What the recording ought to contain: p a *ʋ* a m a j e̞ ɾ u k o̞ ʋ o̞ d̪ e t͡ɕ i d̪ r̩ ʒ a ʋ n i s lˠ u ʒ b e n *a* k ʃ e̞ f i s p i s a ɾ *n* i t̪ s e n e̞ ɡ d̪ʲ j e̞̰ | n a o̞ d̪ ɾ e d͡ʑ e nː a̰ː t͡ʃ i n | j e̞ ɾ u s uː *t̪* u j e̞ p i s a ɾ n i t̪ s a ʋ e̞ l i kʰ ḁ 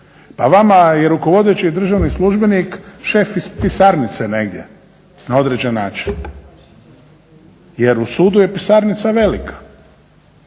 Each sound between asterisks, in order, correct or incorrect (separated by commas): correct, incorrect, correct, incorrect